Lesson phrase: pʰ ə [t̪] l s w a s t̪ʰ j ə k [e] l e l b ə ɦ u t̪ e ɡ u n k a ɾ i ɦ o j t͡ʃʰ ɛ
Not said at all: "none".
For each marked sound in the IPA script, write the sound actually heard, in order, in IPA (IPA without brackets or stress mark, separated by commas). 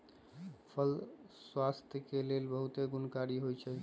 none, e